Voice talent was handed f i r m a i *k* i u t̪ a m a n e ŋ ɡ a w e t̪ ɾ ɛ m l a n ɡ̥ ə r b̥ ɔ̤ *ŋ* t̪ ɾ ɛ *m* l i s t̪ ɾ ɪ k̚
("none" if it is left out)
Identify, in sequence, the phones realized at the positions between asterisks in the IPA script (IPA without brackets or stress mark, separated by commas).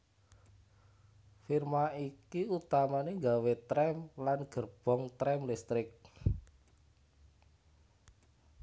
k, ŋ, m